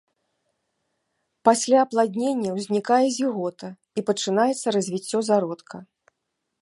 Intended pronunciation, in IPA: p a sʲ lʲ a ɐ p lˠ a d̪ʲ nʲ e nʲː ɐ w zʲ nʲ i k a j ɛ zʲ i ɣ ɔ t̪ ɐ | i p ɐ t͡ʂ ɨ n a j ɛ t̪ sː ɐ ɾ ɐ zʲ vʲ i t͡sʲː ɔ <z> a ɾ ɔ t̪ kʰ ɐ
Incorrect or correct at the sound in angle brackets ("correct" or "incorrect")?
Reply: correct